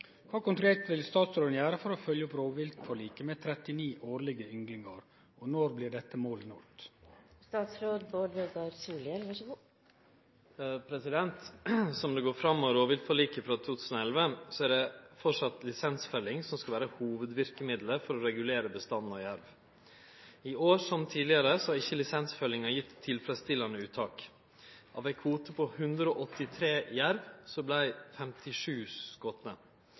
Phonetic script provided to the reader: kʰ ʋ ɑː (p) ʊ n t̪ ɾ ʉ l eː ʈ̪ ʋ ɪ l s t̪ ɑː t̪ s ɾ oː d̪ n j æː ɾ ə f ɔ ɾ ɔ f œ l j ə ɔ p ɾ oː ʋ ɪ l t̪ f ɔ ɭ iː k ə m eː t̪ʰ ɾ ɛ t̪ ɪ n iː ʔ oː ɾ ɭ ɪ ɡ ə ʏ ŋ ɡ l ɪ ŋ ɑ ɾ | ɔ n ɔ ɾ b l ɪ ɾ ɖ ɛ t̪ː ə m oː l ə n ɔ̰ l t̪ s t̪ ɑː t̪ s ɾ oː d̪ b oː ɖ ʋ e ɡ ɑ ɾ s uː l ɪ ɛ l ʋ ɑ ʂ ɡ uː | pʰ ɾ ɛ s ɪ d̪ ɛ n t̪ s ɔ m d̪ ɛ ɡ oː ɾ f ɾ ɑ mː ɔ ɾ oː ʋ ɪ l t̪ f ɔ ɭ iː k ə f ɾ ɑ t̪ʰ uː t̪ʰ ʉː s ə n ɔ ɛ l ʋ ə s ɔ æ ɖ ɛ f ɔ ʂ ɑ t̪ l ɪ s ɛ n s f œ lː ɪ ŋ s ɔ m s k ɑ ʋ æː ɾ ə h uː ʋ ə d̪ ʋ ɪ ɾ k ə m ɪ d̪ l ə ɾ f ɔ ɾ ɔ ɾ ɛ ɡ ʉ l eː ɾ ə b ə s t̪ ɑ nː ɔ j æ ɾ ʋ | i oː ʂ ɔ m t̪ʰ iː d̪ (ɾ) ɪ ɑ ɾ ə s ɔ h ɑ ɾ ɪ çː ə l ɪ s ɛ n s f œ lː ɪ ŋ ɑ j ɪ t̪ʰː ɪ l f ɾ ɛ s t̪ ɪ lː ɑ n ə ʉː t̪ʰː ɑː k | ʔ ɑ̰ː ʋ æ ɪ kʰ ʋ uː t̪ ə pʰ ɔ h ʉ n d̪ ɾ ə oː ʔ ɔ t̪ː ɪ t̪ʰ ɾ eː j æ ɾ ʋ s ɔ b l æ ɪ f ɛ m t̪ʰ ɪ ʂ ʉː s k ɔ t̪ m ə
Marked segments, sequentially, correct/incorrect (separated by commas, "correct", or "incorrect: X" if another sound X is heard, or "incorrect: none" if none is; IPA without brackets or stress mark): incorrect: k, incorrect: l